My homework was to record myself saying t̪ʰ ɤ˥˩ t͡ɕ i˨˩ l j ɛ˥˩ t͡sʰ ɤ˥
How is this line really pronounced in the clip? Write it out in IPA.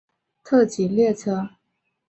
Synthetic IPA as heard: t̪ʰ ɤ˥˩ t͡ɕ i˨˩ l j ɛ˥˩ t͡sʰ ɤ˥